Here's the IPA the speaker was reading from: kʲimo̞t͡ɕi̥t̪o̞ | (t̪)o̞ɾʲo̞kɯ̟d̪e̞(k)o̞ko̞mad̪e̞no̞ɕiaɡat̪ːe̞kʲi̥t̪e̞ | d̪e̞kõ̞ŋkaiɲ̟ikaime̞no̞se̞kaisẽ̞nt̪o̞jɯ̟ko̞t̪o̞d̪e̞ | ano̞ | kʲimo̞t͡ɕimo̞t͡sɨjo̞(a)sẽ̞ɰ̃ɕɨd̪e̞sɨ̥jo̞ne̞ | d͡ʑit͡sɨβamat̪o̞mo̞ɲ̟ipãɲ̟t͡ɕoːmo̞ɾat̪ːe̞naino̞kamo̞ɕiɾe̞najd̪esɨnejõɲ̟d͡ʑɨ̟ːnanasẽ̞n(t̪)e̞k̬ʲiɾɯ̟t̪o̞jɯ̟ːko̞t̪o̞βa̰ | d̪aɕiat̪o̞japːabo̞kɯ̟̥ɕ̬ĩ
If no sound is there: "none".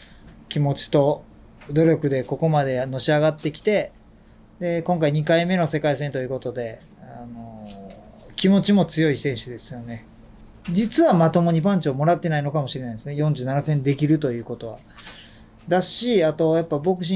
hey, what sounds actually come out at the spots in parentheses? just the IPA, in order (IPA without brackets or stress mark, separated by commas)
d̪, k, i, d̪